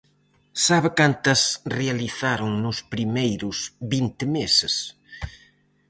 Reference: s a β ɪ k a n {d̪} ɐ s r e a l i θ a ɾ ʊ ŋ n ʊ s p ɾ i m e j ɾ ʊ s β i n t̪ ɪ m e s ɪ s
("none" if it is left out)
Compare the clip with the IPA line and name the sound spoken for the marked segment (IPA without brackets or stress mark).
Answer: t̪